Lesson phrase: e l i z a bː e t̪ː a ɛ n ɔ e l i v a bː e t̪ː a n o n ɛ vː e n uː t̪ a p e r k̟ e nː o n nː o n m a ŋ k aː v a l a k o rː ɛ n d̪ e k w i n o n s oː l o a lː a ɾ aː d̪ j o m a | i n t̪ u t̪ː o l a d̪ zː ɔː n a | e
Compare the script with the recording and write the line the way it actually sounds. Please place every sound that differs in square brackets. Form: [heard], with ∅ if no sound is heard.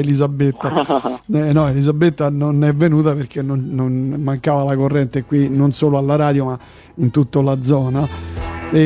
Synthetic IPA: e l i z a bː e t̪ː a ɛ n ɔ e l i [z] a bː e t̪ː a n o n ɛ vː e n uː t̪ a p e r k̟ e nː o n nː o n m a ŋ k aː v a l a k o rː ɛ n [t̪] e k w i n o n s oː l o a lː a ɾ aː d̪ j o m a | i n t̪ u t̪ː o l a d̪ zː ɔː n a | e